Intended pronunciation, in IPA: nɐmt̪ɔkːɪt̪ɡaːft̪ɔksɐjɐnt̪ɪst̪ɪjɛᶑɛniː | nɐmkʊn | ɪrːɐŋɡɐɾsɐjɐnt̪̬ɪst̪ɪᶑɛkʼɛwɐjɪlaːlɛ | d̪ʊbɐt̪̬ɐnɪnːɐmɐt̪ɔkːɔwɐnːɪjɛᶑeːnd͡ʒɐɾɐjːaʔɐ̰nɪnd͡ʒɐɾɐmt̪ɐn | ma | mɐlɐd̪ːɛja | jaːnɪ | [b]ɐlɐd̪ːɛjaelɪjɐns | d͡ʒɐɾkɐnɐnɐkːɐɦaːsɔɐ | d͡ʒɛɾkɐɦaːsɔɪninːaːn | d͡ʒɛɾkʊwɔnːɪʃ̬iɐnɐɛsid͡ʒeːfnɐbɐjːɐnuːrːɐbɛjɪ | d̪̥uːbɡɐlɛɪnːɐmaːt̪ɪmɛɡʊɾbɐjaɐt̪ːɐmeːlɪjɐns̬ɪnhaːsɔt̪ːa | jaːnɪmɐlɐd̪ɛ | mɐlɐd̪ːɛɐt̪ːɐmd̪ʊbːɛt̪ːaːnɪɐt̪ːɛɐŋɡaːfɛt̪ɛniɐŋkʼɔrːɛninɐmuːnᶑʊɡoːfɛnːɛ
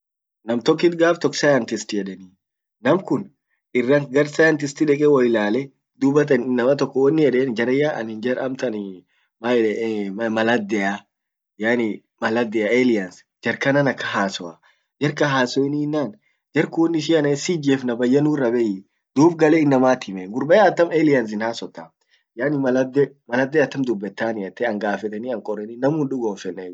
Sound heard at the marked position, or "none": m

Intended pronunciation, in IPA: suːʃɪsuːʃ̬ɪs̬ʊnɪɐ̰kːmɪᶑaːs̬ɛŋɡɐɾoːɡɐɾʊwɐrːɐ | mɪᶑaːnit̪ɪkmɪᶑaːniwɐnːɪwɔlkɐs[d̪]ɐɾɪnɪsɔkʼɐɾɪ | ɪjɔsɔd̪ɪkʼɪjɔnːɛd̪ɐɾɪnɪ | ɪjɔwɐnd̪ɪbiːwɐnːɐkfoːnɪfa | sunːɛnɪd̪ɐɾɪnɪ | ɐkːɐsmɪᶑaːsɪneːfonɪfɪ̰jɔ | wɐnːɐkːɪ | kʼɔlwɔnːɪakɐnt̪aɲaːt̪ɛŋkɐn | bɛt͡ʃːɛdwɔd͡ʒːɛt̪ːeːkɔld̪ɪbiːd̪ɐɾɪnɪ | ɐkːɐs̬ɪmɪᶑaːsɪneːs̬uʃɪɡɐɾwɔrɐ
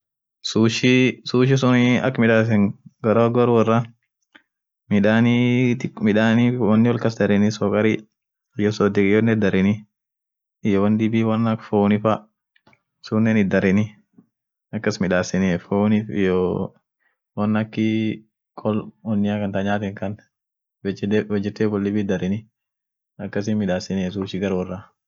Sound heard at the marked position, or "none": d̪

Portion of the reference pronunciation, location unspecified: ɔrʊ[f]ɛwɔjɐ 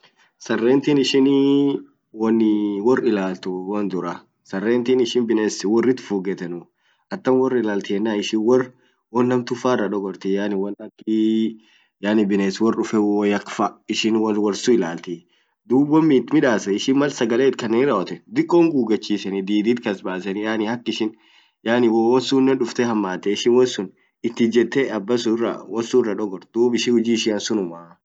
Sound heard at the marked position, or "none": f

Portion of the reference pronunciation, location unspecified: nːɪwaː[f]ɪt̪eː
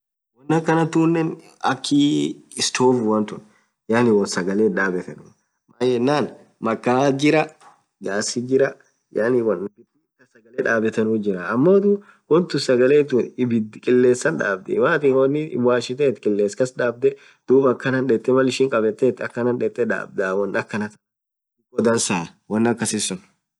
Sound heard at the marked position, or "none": ʃ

